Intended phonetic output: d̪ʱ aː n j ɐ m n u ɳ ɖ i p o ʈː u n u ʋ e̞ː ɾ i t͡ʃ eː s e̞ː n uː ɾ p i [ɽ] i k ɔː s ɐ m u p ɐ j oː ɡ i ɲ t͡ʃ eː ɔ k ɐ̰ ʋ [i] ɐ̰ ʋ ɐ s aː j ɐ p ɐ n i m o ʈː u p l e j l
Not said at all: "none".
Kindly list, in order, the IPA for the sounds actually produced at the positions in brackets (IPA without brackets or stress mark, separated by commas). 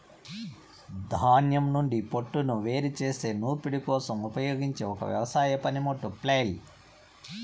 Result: ɽ, j